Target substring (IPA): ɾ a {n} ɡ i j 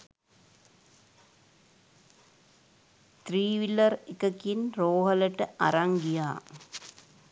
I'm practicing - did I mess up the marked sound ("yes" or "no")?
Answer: yes